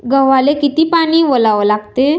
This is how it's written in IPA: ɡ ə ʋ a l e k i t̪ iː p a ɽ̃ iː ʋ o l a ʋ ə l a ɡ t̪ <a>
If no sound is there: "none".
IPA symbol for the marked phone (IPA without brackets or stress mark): e